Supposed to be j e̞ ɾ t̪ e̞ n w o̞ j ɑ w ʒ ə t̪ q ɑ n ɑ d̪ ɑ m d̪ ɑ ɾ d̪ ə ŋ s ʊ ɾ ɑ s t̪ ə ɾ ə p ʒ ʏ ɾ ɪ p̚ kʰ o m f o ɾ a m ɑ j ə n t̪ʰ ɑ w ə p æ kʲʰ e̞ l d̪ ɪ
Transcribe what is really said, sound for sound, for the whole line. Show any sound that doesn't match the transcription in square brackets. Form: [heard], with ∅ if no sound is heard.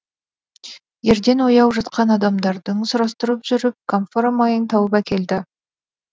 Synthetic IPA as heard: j e̞ ɾ [d̪] e̞ n w o̞ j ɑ w ʒ [ɑ] t̪ q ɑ n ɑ d̪ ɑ m d̪ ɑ ɾ d̪ ə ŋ s ʊ ɾ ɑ s t̪ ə ɾ ə p ʒ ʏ ɾ ɪ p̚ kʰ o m f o ɾ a m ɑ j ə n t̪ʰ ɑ w ə p æ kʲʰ e̞ l d̪ ɪ